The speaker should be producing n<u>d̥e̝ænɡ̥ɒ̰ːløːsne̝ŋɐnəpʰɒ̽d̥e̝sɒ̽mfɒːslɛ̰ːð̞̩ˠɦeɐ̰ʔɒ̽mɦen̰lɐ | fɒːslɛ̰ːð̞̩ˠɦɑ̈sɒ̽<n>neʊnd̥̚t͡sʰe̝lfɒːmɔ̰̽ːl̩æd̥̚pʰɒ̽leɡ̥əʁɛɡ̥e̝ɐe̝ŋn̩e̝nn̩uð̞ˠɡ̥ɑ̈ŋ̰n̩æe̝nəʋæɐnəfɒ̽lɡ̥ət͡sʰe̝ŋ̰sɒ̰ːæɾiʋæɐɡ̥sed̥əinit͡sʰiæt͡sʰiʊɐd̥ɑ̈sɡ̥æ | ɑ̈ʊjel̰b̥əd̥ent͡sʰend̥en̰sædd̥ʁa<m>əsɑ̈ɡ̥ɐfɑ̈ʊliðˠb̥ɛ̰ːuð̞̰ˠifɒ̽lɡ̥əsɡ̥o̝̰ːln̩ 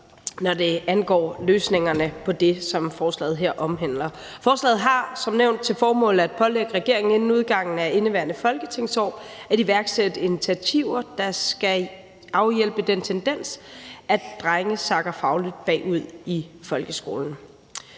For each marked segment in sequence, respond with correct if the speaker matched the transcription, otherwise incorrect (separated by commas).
incorrect, incorrect, incorrect